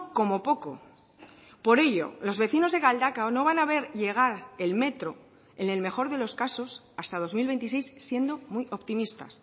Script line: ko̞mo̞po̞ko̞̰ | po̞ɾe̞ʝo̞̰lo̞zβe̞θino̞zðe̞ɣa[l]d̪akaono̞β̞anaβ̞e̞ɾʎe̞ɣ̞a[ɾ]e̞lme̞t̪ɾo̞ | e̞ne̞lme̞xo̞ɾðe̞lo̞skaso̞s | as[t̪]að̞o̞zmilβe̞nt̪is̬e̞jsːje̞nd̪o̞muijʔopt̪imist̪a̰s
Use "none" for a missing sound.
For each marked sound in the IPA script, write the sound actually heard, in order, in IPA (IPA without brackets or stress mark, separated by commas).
l, ɾ, t̪